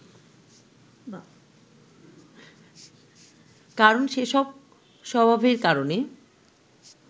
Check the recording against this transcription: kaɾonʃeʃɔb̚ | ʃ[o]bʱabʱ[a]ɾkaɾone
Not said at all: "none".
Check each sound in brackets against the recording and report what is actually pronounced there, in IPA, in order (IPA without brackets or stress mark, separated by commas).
ɔ, e